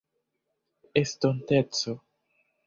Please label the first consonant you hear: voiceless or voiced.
voiceless